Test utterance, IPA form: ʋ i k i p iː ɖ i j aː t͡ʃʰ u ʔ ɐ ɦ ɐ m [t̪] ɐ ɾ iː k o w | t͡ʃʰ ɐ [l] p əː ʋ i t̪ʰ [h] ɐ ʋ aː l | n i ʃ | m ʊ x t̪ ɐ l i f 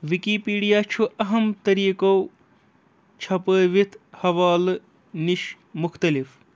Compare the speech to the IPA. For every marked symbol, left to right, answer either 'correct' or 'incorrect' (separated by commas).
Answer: correct, incorrect, correct